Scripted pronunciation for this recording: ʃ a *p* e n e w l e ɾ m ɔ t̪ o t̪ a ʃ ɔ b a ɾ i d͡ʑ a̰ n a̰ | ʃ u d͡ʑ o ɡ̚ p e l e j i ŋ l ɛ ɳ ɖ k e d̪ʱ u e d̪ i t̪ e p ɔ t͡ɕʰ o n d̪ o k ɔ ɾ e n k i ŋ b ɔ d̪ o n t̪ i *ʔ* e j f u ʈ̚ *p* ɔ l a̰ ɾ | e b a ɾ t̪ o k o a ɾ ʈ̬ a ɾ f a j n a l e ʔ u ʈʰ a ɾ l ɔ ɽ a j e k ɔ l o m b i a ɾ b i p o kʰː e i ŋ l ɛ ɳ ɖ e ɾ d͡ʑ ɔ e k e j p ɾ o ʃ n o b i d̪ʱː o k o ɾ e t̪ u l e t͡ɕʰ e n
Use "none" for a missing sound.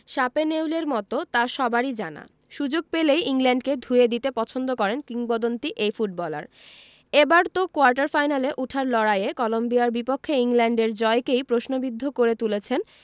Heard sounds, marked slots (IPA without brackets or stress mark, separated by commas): p, ʔ, b